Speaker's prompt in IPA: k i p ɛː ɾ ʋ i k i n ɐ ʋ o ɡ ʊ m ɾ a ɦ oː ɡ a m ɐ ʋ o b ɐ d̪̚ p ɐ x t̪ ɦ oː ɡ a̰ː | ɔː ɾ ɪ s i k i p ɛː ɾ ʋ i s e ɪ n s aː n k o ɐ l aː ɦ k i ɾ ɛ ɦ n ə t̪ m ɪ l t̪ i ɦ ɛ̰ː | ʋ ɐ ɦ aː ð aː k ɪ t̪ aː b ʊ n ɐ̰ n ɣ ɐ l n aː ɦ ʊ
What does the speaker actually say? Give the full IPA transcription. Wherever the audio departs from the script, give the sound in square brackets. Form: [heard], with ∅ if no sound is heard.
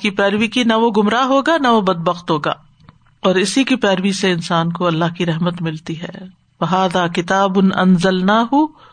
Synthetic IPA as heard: k i p ɛː ɾ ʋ i k i n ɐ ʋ o ɡ ʊ m ɾ a ɦ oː ɡ a [n] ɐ ʋ o b ɐ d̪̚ [b] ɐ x t̪ ɦ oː ɡ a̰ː | ɔː ɾ ɪ s i k i p ɛː ɾ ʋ i s e ɪ n s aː n k o ɐ [lː] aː ɦ k i ɾ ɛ ɦ [m] ə t̪ m ɪ l t̪ i ɦ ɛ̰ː | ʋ ɐ ɦ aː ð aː k ɪ t̪ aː b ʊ n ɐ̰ n [z] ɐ l n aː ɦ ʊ